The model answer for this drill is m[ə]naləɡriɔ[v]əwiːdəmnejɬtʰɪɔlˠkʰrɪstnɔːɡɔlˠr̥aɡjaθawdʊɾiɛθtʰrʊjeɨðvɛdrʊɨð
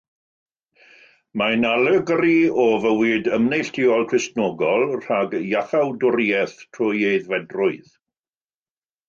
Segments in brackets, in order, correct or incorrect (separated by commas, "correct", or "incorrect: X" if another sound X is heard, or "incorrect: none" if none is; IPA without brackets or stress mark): incorrect: a, correct